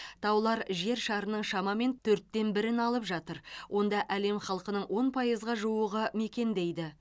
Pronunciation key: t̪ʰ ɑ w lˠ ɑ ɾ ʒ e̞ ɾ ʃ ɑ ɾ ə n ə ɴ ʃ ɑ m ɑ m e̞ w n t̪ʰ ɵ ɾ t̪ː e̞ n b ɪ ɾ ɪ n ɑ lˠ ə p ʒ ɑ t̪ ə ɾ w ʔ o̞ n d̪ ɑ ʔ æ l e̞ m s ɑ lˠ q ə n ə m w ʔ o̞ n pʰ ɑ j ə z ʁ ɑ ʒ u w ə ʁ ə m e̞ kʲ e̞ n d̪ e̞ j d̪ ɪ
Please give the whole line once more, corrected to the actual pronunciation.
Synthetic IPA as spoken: t̪ʰ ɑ w lˠ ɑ ɾ ʒ e̞ ɾ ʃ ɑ ɾ ə n ə ɴ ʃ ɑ m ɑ m e̞ n t̪ʰ ɵ ɾ t̪ː e̞ n b ɪ ɾ ɪ n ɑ lˠ ə p ʒ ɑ t̪ ə ɾ w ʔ o̞ n d̪ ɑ ʔ æ l e̞ m χ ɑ lˠ q ə n ə ɴ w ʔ o̞ n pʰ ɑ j ə z ʁ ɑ ʒ u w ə ʁ ə m e̞ kʲ e̞ n d̪ e̞ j d̪ ɪ